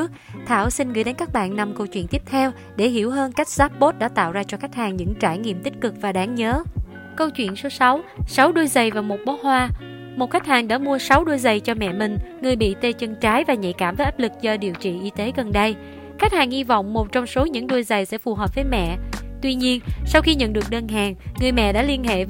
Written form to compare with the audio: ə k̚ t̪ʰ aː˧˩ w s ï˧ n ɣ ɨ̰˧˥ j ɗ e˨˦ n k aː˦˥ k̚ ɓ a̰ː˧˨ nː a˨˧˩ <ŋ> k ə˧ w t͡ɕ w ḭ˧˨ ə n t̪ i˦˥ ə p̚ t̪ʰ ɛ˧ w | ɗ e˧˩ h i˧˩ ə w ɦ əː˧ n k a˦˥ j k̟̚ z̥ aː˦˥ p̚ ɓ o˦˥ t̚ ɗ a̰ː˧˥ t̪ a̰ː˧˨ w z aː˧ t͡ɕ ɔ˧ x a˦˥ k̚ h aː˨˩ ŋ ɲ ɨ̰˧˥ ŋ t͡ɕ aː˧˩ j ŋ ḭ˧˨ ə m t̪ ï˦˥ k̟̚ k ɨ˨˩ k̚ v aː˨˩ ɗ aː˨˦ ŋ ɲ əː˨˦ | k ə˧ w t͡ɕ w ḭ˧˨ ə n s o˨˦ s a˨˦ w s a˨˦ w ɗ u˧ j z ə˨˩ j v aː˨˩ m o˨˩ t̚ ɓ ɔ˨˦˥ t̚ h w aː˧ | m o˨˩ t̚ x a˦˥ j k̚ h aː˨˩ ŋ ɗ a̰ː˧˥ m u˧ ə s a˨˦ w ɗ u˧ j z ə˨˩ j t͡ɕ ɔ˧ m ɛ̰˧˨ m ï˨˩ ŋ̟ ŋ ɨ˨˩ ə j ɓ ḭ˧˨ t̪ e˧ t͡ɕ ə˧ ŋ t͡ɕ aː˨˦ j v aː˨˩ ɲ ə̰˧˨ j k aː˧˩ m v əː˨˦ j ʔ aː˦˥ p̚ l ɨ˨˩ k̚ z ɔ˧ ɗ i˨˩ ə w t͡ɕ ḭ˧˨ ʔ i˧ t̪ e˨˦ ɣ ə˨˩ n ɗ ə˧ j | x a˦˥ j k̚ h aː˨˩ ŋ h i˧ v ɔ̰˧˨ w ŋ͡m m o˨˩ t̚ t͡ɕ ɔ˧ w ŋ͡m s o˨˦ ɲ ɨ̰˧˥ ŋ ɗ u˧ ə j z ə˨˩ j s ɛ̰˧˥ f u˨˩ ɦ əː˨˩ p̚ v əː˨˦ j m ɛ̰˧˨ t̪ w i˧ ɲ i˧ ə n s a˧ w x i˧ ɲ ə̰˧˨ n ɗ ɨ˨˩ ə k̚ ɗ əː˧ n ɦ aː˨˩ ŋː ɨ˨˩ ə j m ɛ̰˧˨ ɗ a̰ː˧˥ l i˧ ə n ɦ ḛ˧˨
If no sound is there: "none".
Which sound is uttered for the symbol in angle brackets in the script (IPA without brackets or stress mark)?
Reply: m